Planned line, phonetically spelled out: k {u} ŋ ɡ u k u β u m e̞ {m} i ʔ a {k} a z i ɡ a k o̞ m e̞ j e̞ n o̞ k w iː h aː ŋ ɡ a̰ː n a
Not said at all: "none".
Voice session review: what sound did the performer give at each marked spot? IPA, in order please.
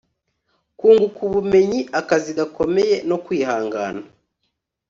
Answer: uː, ɲ, k

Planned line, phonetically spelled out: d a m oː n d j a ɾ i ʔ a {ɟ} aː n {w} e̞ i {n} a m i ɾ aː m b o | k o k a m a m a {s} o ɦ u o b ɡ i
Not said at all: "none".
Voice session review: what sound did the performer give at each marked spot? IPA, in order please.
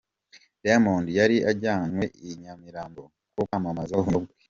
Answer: ɟ, w, ɲ, z

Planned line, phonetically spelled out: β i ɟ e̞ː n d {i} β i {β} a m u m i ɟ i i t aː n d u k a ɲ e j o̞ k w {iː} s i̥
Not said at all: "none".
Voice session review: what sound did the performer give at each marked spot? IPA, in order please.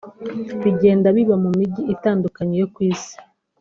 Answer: a, β, iː

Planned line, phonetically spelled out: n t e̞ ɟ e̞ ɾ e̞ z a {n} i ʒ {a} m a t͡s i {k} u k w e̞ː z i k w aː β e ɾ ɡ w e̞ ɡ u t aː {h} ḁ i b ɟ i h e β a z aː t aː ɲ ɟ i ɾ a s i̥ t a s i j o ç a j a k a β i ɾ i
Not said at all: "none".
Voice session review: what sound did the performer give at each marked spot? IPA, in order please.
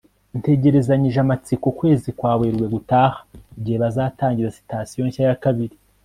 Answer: ɲ, a, k, h

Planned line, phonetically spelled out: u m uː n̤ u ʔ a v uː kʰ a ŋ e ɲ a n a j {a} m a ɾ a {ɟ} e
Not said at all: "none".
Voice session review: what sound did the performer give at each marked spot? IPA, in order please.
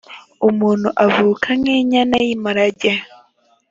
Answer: i, ɟ

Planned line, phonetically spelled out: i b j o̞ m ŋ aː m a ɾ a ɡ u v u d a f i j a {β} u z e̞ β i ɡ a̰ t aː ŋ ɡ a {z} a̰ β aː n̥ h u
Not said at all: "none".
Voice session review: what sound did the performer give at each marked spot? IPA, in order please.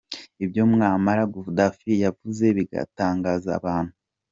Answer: v, z

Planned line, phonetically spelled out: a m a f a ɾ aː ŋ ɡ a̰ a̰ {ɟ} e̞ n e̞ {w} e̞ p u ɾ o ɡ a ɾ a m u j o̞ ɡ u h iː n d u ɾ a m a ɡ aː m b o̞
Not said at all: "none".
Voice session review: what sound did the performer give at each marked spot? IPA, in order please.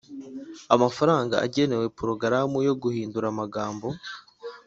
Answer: ɟ, w

